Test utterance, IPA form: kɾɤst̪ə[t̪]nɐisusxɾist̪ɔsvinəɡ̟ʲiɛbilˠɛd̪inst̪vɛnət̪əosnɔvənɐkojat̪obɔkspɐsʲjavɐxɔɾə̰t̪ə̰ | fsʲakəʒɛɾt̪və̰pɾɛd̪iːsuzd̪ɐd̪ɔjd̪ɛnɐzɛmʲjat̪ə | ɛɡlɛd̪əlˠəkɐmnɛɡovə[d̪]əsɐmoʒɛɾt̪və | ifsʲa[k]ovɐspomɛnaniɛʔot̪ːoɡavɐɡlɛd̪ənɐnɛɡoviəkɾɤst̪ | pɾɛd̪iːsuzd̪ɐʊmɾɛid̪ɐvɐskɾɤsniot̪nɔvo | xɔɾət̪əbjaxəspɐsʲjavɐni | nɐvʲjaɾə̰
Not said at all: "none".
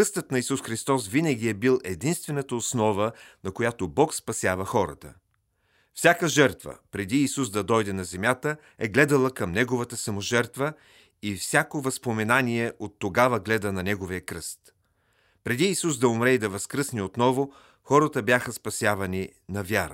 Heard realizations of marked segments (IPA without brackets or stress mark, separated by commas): t̪, t̪, k